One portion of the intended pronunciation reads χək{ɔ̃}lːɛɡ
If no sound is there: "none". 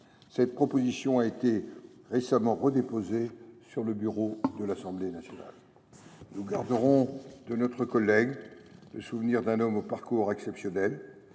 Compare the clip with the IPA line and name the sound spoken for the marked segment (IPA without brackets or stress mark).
ɔ